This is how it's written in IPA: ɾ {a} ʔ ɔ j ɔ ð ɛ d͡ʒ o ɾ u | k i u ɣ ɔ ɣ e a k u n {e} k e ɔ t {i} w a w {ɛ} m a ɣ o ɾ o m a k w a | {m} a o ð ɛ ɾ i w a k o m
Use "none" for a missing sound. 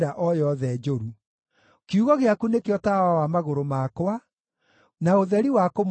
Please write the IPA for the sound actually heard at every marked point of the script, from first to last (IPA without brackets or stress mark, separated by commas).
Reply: a, e, a, a, n